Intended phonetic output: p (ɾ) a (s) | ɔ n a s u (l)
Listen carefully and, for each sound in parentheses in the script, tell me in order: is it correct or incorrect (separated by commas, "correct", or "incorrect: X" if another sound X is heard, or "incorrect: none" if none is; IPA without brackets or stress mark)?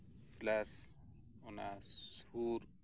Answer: incorrect: l, correct, incorrect: ɾ